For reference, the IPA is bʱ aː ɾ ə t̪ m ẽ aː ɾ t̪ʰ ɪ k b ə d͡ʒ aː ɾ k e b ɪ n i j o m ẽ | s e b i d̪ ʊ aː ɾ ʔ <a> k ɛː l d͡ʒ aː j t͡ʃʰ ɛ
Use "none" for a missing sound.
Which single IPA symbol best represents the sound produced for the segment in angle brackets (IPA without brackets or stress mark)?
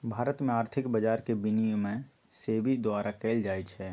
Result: a